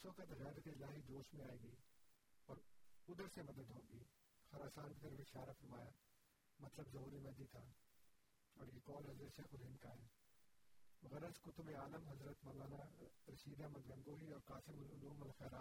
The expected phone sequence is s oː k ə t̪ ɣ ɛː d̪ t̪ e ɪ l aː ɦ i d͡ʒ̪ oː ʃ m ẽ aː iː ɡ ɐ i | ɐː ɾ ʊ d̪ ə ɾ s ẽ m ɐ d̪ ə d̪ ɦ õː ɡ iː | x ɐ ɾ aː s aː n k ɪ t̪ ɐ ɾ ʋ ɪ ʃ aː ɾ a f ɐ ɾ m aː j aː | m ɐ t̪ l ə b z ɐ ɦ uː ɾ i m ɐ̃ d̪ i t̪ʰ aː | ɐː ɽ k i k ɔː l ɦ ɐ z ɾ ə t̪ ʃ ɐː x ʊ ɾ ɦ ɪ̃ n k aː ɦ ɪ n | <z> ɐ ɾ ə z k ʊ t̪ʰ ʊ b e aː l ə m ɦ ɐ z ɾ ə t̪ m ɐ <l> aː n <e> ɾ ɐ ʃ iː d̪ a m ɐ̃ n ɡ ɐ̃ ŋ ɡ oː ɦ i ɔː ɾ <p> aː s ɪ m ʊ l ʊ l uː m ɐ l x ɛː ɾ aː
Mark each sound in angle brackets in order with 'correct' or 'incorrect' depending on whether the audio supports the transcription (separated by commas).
incorrect, correct, incorrect, incorrect